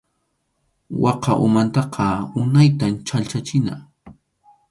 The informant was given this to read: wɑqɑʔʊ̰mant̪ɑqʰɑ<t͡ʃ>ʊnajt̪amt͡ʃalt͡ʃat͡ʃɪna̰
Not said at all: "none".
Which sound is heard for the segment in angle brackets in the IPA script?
none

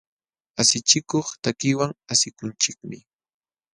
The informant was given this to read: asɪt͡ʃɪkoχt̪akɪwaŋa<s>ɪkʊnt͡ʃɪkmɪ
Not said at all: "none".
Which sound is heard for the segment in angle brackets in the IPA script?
s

